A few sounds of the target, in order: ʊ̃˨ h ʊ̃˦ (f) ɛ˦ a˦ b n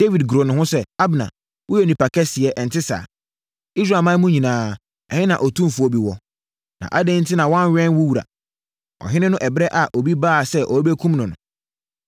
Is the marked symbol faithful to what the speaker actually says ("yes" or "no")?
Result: no